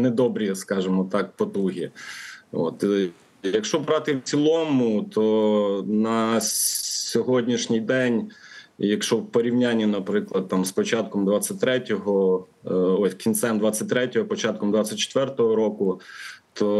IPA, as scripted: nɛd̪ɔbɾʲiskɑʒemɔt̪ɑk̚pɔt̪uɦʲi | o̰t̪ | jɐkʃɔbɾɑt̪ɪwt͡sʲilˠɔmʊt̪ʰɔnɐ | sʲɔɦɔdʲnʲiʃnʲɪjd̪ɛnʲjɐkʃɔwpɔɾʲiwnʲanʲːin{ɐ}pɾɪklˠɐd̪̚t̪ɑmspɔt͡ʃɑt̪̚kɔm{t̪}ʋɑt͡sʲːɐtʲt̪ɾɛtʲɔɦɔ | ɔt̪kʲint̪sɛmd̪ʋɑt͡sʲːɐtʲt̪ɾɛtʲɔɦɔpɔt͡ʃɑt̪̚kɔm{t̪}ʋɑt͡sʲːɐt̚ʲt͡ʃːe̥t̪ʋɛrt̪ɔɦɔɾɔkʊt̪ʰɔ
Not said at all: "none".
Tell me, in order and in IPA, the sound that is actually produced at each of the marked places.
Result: ɐ, d̪, d̪

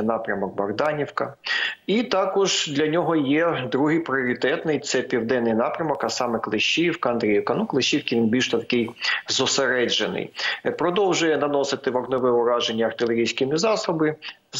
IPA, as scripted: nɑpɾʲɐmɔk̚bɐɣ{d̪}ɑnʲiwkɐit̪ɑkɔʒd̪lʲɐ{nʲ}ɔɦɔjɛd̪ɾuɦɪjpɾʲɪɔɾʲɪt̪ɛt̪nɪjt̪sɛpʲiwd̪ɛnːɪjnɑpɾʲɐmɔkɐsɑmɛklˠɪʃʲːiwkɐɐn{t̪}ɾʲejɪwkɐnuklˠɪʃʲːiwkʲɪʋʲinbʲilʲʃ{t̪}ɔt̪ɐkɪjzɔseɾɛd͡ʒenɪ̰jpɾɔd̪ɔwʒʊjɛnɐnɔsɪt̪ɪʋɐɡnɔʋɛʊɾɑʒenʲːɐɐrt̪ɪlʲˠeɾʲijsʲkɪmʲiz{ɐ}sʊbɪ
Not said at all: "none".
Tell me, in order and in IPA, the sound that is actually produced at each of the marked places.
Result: d̪, nʲ, d̪, t̪, ɑ

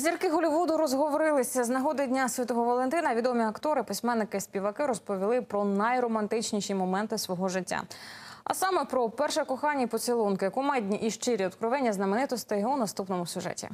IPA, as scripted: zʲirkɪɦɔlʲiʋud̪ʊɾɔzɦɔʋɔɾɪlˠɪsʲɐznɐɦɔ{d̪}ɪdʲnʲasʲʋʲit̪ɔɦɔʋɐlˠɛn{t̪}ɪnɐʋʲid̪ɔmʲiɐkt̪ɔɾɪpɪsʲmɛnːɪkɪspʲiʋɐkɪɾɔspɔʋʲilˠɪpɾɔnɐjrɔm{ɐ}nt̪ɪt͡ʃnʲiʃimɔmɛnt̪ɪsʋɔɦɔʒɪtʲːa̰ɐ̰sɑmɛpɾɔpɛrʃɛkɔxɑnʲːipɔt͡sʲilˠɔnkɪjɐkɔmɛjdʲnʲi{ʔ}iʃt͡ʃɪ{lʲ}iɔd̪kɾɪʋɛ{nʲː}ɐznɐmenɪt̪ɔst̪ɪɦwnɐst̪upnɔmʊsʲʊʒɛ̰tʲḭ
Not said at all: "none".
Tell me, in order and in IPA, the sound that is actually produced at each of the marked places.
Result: d̪, t̪, ɐ, ʔ, ɾʲ, nʲː

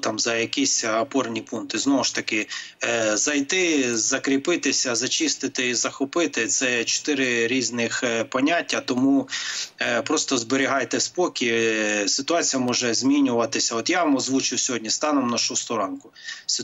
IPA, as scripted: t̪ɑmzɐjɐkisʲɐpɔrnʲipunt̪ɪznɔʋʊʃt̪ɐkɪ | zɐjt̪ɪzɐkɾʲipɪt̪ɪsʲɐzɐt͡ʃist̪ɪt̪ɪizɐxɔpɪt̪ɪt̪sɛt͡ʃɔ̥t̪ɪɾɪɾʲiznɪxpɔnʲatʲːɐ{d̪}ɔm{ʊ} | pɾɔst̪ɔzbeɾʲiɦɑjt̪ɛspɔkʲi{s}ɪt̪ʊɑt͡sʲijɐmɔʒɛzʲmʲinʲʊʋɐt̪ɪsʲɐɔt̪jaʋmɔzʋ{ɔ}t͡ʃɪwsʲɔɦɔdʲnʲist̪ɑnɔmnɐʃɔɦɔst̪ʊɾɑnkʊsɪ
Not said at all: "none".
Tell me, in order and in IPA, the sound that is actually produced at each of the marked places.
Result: t̪, u, s, u

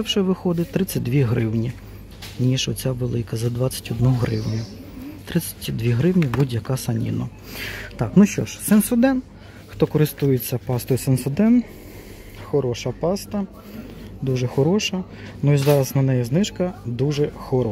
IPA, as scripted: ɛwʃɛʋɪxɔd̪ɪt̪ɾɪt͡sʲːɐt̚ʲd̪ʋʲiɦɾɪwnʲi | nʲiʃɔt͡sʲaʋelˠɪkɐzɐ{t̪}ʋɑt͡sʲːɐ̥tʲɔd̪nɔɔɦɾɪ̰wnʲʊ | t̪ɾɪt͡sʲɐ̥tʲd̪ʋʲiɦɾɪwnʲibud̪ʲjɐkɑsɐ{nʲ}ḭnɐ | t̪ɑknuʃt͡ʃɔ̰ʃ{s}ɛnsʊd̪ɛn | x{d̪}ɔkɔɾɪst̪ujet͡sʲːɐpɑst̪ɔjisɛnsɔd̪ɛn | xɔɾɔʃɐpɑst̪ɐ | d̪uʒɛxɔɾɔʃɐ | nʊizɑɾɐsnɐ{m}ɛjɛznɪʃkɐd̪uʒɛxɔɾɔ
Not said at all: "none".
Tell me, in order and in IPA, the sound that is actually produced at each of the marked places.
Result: d̪, nʲ, s, t̪, n

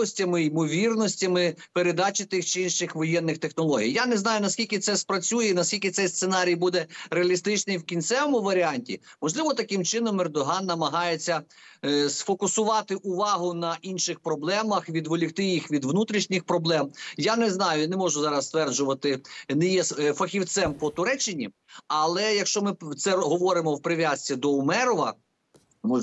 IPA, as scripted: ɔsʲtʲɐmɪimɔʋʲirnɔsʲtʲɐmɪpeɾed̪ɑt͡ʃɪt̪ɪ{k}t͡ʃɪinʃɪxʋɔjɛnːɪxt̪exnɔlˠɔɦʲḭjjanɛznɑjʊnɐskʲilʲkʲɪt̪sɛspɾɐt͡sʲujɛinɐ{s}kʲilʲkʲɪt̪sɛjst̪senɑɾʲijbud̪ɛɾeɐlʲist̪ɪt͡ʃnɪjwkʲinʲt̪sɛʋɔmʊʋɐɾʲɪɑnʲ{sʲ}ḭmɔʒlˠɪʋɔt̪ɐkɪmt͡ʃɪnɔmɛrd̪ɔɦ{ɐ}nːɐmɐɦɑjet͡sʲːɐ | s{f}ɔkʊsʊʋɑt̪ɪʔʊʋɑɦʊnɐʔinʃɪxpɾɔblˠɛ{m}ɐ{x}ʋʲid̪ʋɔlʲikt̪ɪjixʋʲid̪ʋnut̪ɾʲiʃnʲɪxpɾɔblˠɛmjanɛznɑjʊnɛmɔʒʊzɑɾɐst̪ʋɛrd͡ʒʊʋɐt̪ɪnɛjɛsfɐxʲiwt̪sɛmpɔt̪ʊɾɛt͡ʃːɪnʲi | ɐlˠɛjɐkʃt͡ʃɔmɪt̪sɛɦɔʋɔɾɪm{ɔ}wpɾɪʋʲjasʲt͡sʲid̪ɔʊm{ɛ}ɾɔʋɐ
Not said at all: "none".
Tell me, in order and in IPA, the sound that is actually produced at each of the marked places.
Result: x, s, tʲ, ɑ, f, m, x, ɔ, ɛ

